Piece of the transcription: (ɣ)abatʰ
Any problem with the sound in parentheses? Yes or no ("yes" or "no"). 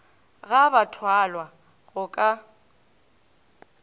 no